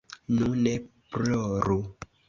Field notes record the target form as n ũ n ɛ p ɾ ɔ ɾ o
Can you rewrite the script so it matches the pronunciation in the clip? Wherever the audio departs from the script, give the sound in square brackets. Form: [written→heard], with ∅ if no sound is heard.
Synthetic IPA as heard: n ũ n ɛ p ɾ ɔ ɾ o